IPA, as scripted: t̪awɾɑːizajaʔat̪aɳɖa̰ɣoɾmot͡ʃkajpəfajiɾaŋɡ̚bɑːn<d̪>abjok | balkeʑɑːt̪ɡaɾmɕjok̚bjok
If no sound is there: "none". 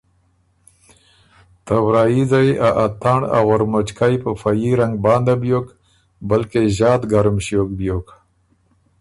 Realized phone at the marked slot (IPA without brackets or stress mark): d̪